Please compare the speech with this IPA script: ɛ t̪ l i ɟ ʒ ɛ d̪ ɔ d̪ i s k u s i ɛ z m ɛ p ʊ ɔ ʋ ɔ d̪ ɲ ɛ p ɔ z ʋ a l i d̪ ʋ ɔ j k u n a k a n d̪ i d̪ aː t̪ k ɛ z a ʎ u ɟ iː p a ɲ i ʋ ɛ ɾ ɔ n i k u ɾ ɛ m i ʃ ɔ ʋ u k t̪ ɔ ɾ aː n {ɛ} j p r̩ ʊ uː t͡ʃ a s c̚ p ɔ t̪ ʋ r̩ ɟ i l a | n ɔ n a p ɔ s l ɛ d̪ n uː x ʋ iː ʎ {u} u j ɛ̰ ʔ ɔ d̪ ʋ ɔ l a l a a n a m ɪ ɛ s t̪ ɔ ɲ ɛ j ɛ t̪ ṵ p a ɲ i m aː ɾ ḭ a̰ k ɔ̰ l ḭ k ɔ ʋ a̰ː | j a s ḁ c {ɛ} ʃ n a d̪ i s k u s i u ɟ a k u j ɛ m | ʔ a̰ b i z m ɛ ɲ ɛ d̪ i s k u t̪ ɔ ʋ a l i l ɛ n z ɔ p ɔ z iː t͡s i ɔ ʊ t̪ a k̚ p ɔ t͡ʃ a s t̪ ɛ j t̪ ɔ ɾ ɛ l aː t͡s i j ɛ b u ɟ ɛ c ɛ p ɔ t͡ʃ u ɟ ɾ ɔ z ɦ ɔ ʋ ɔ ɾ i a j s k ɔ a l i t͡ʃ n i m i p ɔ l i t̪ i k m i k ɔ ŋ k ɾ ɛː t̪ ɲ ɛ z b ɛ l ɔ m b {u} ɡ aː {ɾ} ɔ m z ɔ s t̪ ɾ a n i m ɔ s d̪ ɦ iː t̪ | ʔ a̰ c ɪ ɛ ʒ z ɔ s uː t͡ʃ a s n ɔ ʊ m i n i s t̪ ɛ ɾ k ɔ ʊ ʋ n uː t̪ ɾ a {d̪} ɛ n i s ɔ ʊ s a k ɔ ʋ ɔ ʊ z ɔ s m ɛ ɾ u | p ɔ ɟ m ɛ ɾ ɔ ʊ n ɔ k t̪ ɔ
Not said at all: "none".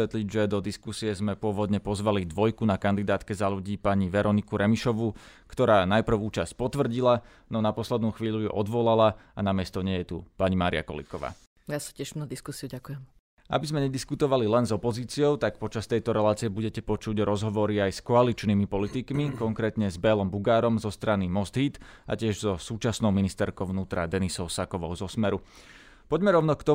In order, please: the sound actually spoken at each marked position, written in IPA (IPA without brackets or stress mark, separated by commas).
a, u, ɛ, u, ɾ, d̪